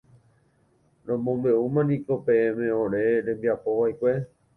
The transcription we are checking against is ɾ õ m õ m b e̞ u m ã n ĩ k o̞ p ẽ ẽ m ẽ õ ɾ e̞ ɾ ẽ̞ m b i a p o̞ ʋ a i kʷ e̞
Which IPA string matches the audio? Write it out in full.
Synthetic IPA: ɾ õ m õ m b e̞ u m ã n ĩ k o̞ p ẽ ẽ m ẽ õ ɾ e̞ ɾ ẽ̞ m b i a p o̞ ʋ a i kʷ e̞